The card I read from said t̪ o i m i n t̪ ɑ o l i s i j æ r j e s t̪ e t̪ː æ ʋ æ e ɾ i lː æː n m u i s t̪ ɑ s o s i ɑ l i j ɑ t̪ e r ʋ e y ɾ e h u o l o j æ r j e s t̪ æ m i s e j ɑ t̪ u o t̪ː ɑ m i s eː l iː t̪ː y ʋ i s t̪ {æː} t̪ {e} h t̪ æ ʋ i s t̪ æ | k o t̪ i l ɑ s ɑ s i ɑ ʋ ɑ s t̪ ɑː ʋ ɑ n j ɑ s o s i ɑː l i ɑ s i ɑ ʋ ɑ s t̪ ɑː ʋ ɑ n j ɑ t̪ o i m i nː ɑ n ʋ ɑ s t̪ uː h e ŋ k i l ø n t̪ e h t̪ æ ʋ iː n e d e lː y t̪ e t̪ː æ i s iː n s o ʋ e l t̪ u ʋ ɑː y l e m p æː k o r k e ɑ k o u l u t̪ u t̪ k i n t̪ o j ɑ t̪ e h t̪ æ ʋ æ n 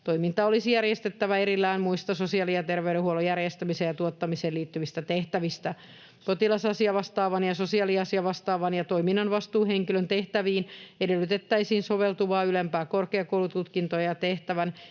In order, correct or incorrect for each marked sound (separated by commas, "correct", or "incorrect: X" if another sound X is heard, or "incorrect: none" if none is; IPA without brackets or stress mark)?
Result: incorrect: æ, correct